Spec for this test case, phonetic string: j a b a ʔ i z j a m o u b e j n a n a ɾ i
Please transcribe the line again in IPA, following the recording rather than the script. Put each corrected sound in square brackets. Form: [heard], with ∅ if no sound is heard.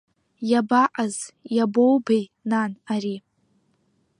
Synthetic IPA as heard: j a b a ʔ [a] z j a [b] o [w] b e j n a n a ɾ i